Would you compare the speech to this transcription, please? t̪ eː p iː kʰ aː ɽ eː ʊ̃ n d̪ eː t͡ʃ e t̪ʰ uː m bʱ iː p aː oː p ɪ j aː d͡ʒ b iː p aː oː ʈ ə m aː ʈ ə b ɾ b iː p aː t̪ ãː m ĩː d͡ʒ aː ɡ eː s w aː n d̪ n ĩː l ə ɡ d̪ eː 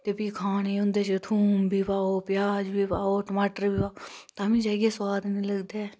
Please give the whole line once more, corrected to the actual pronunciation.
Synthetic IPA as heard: t̪ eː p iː kʰ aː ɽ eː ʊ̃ n d̪ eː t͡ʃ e t̪ʰ uː m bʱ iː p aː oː p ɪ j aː d͡ʒ b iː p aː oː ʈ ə m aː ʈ ə ɾ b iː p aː t̪ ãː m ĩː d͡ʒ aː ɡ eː s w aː d̪ n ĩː l ə ɡ d̪ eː